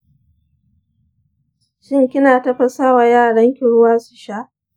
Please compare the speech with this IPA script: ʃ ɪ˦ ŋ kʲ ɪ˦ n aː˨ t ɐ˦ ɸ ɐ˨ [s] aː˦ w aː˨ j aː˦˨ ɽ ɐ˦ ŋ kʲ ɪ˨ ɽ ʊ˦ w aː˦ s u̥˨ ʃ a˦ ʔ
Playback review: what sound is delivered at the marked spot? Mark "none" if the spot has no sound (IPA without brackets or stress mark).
s